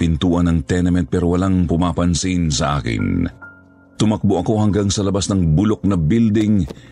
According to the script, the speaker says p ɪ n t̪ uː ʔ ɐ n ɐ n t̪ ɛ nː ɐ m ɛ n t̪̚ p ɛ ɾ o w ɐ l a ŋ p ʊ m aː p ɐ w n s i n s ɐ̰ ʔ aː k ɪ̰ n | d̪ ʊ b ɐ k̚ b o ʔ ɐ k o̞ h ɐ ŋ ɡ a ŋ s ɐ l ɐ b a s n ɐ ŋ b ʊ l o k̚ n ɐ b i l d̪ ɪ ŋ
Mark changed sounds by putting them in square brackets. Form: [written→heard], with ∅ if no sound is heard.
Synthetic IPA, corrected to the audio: p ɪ n t̪ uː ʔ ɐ n ɐ [n→ŋ] t̪ ɛ [nː→n] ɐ m ɛ n t̪̚ p ɛ ɾ o w ɐ l a ŋ p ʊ m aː p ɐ [w→∅] n s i n s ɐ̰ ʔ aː k ɪ̰ n | [d̪→t̪] ʊ [b→m] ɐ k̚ b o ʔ ɐ k o̞ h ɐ ŋ ɡ a ŋ s ɐ l ɐ b a s n ɐ ŋ b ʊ l o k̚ n ɐ b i l d̪ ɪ ŋ